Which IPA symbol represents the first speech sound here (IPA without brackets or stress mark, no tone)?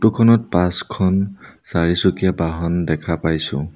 t